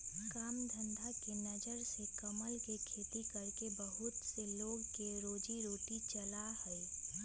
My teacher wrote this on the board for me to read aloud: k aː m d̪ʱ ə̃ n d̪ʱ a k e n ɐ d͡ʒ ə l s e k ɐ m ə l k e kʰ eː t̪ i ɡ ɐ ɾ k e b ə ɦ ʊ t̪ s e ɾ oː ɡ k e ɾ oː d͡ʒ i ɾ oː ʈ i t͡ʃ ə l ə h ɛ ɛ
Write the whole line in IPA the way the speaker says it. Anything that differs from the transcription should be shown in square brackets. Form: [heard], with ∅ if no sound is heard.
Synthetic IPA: k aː m d̪ʱ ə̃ n d̪ʱ a k e n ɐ d͡ʒ ə [ɾ] s e k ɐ m ə l k e kʰ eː t̪ i [k] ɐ ɾ k e b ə ɦ ʊ t̪ s e [l] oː ɡ k e ɾ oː d͡ʒ i ɾ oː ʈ i t͡ʃ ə l [a] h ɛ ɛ